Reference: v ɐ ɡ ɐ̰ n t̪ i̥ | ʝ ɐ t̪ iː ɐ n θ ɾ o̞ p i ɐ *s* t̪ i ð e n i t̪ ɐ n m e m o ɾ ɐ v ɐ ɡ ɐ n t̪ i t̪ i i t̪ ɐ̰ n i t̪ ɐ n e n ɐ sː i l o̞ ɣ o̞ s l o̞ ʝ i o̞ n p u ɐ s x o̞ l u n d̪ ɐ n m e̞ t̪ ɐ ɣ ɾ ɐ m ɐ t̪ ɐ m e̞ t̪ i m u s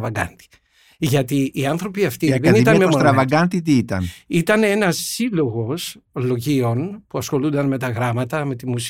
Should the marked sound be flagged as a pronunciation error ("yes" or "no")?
yes